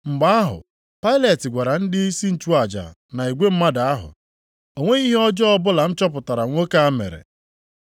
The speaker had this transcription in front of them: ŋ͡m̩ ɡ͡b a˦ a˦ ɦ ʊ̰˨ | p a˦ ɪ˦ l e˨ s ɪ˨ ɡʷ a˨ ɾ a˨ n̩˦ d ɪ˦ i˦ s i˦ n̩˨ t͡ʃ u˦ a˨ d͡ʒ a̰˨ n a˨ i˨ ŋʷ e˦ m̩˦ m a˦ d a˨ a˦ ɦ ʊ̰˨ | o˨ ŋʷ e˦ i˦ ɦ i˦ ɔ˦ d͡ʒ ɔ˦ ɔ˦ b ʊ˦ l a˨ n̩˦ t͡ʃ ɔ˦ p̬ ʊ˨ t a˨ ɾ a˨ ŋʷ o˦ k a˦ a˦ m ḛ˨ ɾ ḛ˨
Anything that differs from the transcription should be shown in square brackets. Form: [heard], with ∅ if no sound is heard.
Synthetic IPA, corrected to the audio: ŋ͡m̩ ɡ͡b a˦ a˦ ɦ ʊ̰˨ | p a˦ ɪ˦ l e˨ [t] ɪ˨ ɡʷ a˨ ɾ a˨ n̩˦ d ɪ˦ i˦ s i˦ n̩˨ t͡ʃ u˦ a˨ d͡ʒ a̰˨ n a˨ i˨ [ɡʷ] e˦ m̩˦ m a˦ d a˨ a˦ ɦ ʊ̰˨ | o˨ ŋʷ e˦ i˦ ɦ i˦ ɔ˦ d͡ʒ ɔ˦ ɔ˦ b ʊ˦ l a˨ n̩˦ t͡ʃ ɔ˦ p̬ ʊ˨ t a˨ ɾ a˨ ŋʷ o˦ k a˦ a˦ m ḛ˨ ɾ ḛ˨